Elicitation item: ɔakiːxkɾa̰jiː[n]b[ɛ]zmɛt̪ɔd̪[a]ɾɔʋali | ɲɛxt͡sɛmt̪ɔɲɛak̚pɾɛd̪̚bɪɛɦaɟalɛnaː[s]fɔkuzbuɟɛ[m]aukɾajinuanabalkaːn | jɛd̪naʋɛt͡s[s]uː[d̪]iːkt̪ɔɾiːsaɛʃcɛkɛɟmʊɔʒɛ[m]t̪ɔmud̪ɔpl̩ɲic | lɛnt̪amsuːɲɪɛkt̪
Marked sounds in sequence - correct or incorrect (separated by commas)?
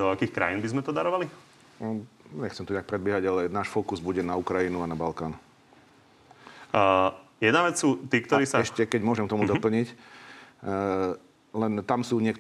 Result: correct, incorrect, correct, incorrect, incorrect, correct, incorrect, correct